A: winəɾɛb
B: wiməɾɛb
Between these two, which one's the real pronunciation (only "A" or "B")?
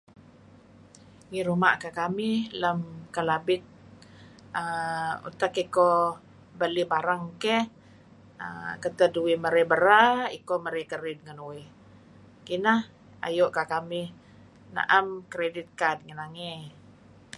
B